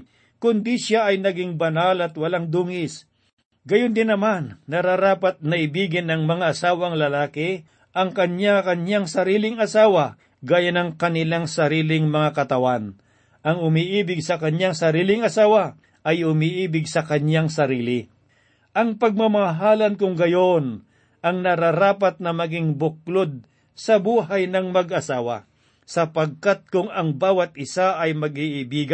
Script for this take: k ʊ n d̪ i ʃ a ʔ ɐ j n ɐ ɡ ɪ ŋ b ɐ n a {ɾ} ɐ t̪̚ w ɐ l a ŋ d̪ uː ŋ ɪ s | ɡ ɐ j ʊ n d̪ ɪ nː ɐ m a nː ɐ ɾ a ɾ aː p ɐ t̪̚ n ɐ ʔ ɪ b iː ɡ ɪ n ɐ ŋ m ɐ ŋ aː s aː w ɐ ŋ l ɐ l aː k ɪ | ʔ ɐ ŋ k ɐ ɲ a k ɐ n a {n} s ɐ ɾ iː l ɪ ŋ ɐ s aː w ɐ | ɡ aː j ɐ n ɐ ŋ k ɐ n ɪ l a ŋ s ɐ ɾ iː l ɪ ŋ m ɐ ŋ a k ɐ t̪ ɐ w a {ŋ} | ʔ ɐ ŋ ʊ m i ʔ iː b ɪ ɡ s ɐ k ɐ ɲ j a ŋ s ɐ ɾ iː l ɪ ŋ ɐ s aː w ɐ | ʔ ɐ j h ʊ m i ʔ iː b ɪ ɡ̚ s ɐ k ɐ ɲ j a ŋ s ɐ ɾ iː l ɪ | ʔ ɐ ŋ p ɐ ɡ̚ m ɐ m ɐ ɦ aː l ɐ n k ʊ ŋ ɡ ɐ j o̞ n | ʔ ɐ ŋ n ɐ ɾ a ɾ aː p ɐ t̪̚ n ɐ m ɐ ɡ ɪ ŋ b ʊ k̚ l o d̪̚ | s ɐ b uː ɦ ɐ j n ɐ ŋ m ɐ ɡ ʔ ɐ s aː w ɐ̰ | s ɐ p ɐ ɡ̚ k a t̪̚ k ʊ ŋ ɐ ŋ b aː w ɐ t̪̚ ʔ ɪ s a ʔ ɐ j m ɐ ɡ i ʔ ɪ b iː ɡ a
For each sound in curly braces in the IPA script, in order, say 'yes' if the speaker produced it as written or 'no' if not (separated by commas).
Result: no, no, no